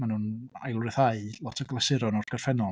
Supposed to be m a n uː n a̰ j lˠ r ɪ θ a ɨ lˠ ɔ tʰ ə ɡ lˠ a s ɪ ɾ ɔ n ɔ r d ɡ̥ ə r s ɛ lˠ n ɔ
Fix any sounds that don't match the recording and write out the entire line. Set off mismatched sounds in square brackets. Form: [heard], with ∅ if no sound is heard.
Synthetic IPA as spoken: m a n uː n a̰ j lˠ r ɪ θ a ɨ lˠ ɔ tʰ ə ɡ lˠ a s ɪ ɾ ɔ n ɔ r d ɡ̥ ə r [f] ɛ [∅] n ɔ